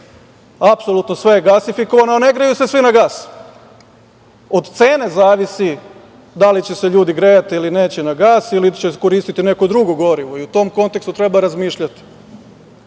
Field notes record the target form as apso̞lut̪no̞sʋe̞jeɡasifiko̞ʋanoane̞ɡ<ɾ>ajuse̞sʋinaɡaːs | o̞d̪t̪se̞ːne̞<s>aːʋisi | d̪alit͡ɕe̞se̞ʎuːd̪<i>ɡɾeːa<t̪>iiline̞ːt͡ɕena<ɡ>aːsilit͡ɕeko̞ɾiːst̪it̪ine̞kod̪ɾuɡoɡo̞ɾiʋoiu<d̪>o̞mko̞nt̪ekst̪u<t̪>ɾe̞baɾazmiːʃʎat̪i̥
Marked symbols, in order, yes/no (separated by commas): yes, no, yes, yes, yes, no, yes